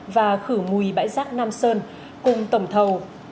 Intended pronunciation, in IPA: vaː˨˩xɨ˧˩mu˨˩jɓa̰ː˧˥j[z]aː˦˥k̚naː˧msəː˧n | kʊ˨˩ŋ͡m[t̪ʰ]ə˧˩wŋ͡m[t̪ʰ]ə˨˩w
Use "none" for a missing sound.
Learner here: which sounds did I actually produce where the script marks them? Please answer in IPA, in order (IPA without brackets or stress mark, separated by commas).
z, t̪, t̪ʰ